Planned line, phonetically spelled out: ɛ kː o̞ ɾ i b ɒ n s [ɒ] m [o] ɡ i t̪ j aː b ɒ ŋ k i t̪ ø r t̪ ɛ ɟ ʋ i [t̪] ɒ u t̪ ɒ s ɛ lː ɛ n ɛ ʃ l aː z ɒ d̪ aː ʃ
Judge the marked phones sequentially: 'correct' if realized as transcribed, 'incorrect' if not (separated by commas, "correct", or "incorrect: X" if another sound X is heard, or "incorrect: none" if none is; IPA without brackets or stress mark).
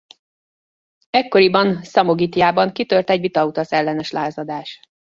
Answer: correct, correct, correct